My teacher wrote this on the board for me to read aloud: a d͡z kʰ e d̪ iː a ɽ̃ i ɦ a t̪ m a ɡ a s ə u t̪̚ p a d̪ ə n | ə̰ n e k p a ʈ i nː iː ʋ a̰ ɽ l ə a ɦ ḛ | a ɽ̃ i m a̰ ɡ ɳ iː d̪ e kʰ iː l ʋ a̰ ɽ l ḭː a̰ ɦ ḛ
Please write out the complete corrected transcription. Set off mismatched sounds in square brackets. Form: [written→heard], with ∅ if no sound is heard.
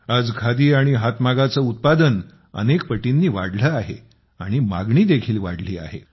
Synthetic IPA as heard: a d͡z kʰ [e→a] d̪ iː a ɽ̃ i ɦ a t̪ m a ɡ a [s→t͡s] ə u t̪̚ p a d̪ ə n | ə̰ n e k p [a→ə] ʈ i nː iː ʋ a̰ ɽ l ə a ɦ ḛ | a ɽ̃ i m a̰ ɡ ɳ iː d̪ e kʰ iː l ʋ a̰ ɽ l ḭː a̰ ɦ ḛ